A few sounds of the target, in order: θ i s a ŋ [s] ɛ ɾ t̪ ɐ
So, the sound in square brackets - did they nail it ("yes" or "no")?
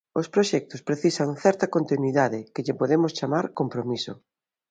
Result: no